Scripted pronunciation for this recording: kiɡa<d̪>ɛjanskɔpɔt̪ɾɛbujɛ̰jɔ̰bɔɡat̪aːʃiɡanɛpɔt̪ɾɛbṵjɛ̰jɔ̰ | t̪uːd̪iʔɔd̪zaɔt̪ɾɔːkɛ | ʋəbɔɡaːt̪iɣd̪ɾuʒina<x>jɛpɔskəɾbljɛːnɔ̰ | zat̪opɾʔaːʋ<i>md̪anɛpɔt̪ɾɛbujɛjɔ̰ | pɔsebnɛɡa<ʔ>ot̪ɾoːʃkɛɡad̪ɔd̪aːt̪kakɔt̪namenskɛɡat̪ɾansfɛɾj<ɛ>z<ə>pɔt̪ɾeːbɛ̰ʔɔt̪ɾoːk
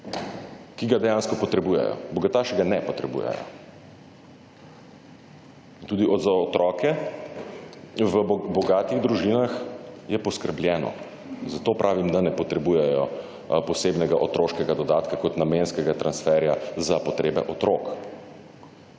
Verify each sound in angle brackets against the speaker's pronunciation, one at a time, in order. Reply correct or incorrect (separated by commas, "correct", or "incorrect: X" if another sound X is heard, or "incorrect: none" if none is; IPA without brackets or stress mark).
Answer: correct, correct, correct, correct, incorrect: a, incorrect: a